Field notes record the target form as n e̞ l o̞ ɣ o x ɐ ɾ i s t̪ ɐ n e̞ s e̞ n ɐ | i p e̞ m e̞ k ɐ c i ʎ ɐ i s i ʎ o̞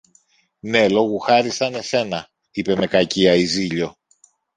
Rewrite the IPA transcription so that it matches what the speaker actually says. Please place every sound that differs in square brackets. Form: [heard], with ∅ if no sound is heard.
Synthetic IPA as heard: n e̞ l o̞ ɣ [u] x ɐ ɾ i s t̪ ɐ n e̞ s e̞ n ɐ | i p e̞ m e̞ k ɐ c i [∅] ɐ i [z] i ʎ o̞